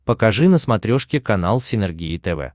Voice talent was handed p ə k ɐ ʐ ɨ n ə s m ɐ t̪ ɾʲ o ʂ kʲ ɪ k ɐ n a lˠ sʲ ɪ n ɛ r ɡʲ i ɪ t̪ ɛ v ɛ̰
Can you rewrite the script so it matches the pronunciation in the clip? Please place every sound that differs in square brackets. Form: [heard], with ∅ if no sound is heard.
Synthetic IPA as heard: p ə k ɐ ʐ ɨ n ə s m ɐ t̪ ɾʲ o ʂ kʲ ɪ k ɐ n a lˠ sʲ ɪ n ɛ r ɡʲ i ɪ t̪ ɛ v ɛ̰